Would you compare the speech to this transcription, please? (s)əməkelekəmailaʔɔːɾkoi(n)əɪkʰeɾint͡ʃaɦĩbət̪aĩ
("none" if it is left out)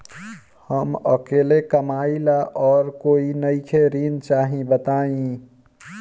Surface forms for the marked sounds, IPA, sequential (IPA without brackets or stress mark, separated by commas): h, n